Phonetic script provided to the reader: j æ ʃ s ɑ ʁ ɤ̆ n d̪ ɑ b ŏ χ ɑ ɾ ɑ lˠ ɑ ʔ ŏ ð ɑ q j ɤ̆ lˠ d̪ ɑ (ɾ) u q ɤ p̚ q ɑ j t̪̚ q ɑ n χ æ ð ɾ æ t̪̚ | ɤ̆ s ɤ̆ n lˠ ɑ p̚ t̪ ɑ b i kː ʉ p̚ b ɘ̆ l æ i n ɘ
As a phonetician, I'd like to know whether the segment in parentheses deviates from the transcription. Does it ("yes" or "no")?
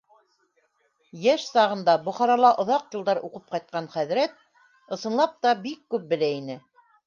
no